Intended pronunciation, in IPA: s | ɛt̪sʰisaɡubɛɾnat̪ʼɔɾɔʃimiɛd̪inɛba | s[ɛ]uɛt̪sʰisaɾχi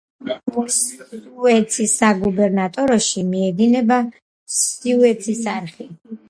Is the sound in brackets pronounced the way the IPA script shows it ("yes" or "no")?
no